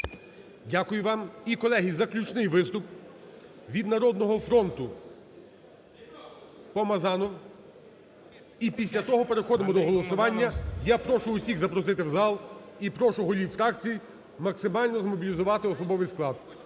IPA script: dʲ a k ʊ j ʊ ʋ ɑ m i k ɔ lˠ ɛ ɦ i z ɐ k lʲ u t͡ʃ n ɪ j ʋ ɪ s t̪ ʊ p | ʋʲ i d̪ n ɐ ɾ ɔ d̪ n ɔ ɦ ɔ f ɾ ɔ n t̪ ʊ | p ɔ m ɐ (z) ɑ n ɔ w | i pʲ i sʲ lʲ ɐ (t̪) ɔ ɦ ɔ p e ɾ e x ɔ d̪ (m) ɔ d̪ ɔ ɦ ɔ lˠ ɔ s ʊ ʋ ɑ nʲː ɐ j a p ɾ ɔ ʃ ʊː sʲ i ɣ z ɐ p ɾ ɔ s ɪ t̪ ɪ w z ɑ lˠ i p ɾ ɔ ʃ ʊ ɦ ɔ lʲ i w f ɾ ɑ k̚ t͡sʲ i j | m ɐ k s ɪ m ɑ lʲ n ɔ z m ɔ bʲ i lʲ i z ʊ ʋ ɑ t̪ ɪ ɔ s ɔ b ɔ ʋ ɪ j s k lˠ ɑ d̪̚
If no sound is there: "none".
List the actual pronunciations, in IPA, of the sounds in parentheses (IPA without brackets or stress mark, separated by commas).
z, t̪, m